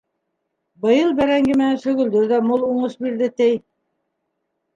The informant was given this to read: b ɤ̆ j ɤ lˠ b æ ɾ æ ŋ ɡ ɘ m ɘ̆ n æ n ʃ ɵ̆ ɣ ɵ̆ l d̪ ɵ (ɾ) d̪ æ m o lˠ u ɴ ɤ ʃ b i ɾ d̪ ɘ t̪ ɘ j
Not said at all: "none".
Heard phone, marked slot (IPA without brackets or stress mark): ɾ